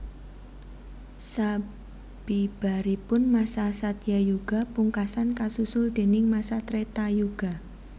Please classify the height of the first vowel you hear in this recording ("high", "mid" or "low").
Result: low